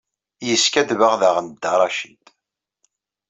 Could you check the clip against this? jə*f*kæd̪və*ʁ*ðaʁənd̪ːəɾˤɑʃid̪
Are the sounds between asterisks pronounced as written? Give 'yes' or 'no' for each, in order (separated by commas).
no, yes